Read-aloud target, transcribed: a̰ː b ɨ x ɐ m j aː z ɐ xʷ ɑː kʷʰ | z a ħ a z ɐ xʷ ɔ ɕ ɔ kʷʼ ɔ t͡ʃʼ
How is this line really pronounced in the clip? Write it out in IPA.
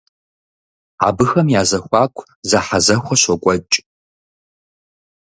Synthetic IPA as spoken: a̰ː b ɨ x ɐ m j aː z ɐ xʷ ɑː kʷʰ | z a ħ a z ɐ xʷ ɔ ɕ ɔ kʷʼ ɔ t͡ʃʼ